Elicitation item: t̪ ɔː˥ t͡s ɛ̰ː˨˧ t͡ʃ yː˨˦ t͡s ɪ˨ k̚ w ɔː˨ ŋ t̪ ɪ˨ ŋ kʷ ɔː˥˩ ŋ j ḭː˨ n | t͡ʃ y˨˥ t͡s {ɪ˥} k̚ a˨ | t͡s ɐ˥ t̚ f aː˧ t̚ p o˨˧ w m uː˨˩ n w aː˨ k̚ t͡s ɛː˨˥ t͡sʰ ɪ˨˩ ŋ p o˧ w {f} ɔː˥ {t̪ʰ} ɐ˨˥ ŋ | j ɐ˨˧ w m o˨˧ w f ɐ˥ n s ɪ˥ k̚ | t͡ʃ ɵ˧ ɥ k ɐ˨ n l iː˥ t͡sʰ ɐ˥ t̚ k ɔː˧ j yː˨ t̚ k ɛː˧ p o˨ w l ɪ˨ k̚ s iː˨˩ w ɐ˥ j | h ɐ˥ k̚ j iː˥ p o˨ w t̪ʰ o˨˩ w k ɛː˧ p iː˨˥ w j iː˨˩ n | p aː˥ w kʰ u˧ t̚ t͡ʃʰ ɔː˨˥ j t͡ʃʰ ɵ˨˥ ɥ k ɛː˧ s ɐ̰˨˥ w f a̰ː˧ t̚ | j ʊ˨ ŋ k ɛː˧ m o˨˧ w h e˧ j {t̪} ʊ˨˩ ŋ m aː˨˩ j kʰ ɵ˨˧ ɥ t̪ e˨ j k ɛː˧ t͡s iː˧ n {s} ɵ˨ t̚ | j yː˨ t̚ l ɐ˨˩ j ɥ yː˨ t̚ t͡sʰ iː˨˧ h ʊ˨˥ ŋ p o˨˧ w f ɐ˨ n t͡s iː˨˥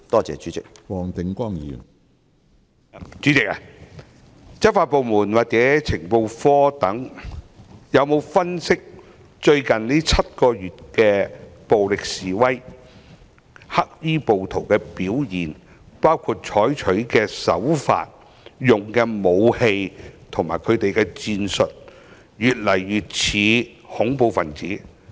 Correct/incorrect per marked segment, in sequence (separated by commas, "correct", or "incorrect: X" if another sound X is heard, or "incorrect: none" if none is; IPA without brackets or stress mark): incorrect: ɪ˨, correct, incorrect: t̪, incorrect: t̪ʰ, correct